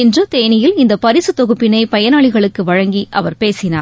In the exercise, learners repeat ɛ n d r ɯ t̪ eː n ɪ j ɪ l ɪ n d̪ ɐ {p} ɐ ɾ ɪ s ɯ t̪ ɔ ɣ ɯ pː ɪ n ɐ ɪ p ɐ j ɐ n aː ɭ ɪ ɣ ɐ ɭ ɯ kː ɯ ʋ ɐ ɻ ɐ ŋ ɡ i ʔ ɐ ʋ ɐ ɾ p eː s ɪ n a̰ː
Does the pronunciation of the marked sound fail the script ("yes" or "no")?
no